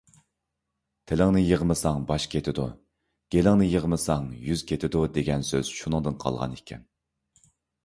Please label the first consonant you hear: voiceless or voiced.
voiceless